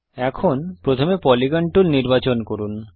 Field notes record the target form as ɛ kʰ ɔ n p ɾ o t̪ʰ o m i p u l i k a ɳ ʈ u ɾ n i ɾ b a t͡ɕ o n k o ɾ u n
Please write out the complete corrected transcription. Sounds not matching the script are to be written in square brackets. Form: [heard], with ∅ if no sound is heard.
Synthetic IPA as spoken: ɛ kʰ [o] n p ɾ o t̪ʰ o m [e] p [ɔ] l i [ɡ] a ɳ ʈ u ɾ n i ɾ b a t͡ɕ o n k o ɾ u n

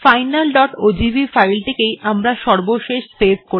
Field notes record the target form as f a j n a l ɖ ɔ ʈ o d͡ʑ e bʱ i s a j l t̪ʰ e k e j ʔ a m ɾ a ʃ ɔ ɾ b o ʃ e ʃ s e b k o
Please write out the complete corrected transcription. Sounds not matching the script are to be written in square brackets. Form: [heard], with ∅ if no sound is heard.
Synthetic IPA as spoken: f a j n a l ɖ ɔ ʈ o d͡ʑ [i] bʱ i [f] a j l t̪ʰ e k e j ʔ a m ɾ a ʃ ɔ ɾ b o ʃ e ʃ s e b k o

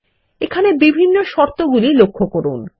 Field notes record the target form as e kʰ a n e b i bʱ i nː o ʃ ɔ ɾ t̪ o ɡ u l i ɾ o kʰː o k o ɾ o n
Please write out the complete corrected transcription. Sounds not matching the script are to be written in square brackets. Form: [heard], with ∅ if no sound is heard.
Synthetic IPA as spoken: e kʰ a n e b i bʱ i nː o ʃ ɔ ɾ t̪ o ɡ u l i [l] o kʰː o k o ɾ [u] n

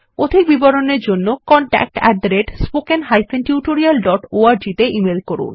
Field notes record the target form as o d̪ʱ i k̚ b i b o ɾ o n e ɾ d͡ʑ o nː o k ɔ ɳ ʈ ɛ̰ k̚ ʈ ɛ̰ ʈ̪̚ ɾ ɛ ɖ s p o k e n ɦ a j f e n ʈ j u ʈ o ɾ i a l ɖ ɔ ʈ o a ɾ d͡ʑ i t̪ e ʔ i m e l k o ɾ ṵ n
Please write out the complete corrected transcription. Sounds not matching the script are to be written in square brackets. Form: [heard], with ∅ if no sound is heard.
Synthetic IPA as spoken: o d̪ʱ i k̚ b i b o ɾ o n e ɾ d͡ʑ o nː o k ɔ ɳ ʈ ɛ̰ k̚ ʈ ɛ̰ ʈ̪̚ ɾ [e] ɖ s p o k e n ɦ a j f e n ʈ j u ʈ o ɾ i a l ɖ ɔ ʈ o a ɾ d͡ʑ i t̪ e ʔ i m e l k o ɾ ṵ n

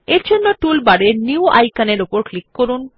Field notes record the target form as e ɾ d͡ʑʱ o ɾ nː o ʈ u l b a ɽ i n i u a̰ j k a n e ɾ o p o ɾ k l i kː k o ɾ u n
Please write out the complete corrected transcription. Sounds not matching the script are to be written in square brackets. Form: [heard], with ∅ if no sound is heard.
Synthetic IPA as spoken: e ɾ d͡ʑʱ o [∅] nː o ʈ u l b a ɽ [e] n i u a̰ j k a n e ɾ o p o ɾ k l i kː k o ɾ u n

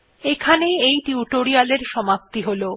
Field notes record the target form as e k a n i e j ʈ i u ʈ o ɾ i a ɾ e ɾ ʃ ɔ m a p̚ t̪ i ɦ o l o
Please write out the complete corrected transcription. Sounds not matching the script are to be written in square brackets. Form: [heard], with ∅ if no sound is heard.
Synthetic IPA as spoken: e [kʰ] a n [e] e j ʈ i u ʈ o ɾ i a [l] e ɾ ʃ ɔ m a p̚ t̪ i ɦ o l o

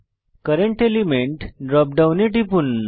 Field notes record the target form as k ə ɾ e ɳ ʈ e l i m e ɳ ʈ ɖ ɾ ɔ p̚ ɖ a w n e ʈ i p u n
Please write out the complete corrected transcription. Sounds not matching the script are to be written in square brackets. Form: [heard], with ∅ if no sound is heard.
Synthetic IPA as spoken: k ə ɾ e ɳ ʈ e l i m e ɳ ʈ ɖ ɾ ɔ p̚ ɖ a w n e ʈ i p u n

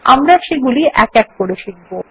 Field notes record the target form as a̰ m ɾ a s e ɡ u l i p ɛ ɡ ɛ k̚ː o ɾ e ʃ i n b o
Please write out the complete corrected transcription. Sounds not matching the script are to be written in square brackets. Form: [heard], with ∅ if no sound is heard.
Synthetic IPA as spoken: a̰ m ɾ a [ʃ] e ɡ u l i [ʔ] ɛ [k] ɛ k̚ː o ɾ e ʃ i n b o

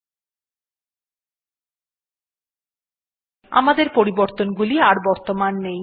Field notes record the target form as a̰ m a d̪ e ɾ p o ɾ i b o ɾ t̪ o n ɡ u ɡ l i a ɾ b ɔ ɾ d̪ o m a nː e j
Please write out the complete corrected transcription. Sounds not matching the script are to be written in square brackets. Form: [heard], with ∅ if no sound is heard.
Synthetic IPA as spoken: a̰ m a d̪ e ɾ p o ɾ i b o ɾ t̪ o n ɡ u [∅] l i a ɾ b ɔ ɾ [t̪] o m a nː e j

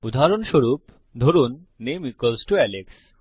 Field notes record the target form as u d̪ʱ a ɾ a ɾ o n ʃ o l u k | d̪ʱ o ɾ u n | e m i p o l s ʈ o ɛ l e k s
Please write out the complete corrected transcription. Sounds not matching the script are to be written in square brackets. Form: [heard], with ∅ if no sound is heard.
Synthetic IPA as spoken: u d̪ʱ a [∅] a ɾ o n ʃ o [ɾ] u [p] | d̪ʱ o ɾ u [nː] | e m i [k] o l s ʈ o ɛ l e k s

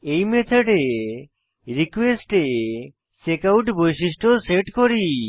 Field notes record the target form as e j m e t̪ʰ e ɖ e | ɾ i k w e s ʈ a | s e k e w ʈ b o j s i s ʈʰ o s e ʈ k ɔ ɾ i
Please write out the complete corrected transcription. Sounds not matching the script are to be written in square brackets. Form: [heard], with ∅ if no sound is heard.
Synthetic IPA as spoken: e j m e t̪ʰ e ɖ e | ɾ i k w e s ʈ [e] | s e k [a] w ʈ b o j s i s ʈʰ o s e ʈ k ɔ ɾ i

